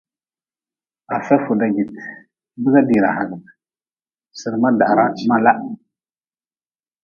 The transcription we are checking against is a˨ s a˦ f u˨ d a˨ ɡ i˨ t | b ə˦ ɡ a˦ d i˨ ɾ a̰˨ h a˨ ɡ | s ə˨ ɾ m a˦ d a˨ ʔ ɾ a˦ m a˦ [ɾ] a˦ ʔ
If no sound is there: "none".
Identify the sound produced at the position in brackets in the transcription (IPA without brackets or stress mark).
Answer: l